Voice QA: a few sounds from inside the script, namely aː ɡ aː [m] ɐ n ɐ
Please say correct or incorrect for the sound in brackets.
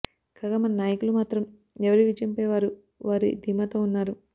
correct